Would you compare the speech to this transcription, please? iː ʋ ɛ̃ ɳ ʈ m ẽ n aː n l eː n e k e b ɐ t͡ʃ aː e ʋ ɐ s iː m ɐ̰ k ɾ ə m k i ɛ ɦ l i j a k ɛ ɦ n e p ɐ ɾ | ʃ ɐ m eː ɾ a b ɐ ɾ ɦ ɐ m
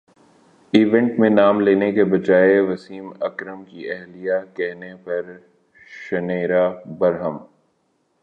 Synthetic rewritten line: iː ʋ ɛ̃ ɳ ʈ m ẽ n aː m l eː n e k e b ɐ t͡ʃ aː e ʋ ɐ s iː m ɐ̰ k ɾ ə m k i ɛ ɦ l i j a k ɛ ɦ n e p ɐ ɾ | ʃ ɐ n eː ɾ a b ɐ ɾ ɦ ə m